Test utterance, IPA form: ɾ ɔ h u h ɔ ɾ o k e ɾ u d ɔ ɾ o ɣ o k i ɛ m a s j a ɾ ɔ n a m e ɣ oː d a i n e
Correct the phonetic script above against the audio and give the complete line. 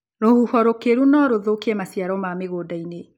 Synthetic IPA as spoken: ɾ o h u h ɔ ɾ o k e ɾ u n ɔ ɾ o ð o k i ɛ m a s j a ɾ ɔ m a m e ɣ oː d a i n e